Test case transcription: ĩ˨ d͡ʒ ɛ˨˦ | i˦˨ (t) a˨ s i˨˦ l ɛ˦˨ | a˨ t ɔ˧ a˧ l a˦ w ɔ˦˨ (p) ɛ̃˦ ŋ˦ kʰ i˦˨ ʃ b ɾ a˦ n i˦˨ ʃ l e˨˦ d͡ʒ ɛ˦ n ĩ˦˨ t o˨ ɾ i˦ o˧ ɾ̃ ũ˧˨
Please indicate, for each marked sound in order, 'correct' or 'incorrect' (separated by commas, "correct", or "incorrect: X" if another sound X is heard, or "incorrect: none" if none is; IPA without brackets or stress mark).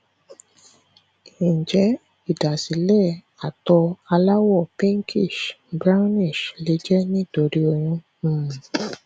incorrect: d, correct